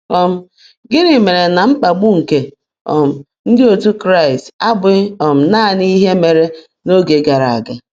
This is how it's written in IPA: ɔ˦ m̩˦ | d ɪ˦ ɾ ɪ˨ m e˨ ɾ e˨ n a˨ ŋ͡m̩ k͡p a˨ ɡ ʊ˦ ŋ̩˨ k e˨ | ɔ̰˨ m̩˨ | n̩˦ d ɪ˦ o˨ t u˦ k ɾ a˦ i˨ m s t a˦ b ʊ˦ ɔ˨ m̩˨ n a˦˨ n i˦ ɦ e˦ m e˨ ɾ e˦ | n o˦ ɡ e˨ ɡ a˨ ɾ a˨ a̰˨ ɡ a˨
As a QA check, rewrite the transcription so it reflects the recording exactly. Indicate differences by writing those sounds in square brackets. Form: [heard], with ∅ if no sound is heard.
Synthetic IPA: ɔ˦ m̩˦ | [ɡ] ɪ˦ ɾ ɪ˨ m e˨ ɾ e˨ n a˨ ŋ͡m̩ k͡p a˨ [ɡ͡b] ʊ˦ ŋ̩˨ k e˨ | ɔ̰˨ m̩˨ | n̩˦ d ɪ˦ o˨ t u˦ k ɾ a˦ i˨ [∅] s t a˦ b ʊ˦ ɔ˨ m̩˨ n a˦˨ n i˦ ɦ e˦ m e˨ ɾ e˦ | n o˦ ɡ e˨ ɡ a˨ ɾ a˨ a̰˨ ɡ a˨